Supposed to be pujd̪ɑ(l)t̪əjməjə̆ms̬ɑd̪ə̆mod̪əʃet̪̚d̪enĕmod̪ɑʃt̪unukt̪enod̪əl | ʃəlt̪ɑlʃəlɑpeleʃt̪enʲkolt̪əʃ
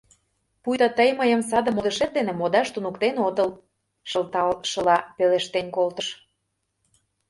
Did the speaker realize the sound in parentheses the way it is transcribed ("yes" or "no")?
no